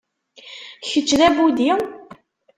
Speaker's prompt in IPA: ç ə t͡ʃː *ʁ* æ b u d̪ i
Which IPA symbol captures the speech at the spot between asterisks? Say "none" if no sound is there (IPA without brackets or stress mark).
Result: ð